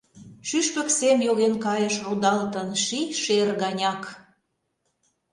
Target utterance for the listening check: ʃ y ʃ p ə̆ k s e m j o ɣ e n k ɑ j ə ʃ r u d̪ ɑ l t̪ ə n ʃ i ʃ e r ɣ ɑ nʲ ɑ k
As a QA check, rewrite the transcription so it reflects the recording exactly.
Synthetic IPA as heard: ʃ y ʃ p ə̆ k s e m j o ɣ e n k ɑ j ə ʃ r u d̪ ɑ l t̪ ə n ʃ i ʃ e r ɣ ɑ nʲ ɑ k